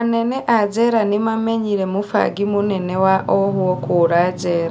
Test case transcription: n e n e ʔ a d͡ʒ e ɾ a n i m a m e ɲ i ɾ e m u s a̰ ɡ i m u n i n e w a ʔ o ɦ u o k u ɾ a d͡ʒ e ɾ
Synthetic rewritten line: n e n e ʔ a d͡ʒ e ɾ a n i m a m e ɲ i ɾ e m u f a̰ ɡ i m u n e n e w a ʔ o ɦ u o k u ɾ a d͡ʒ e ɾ